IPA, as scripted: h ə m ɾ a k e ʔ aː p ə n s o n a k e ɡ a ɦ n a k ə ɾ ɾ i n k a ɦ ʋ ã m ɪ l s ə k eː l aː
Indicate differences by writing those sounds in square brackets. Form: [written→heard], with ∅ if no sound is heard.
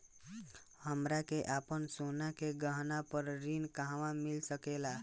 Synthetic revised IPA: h ə m ɾ a k e ʔ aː p ə n s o n a k e ɡ [a→ə] ɦ n a [k→p] ə ɾ ɾ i n k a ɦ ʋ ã m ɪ l s ə k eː l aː